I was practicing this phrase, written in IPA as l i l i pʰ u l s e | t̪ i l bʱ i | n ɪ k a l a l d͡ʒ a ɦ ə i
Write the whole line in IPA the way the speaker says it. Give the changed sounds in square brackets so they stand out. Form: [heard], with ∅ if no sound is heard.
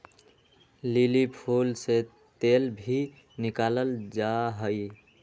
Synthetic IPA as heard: l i l i pʰ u l s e | t̪ [e] l bʱ i | n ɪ k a l [ə] l d͡ʒ a ɦ ə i